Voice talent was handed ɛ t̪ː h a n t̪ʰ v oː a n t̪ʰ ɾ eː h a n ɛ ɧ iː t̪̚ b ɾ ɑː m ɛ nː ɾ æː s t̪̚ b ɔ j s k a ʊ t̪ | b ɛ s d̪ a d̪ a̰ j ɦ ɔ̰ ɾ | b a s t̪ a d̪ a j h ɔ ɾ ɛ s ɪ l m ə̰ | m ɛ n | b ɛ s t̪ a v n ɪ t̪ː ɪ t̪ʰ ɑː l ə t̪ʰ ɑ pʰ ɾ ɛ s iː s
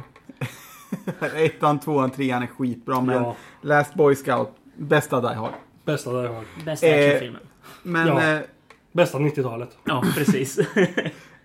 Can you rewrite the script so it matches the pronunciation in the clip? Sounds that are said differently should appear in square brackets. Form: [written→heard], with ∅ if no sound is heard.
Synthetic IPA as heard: ɛ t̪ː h a n t̪ʰ v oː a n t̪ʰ ɾ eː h a n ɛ ɧ iː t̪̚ b ɾ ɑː m ɛ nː [ɾ→l] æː s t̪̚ b ɔ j s k a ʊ t̪ | b ɛ s [d̪→t̪] a d̪ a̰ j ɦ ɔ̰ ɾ | b [a→ɛ] s t̪ a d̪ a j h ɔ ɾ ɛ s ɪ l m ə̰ | m ɛ n | b ɛ s t̪ a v n ɪ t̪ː ɪ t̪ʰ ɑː l ə [t̪ʰ→t̪] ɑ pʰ ɾ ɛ s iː s